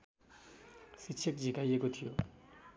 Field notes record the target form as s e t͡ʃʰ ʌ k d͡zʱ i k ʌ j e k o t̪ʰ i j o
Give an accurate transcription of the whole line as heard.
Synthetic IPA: s i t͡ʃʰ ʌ k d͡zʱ i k a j e k o t̪ʰ i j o